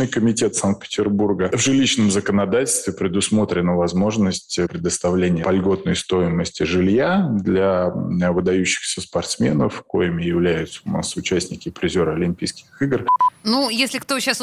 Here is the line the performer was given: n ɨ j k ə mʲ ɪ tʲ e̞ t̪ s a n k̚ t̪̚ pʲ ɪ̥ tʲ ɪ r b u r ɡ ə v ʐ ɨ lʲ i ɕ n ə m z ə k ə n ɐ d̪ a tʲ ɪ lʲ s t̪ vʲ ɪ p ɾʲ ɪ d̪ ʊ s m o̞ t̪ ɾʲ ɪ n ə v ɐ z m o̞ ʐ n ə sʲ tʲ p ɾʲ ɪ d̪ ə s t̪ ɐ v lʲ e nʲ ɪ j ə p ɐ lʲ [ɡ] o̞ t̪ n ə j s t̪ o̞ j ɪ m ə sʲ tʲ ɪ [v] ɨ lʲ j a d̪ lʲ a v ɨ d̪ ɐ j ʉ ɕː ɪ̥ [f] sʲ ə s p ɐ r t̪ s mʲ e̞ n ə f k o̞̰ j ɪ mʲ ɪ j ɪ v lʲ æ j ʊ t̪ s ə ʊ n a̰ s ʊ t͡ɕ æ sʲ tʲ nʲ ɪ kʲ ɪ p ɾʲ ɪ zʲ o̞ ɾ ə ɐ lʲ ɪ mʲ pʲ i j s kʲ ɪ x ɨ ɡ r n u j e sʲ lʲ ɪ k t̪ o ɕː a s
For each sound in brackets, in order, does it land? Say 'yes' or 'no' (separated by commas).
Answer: yes, no, no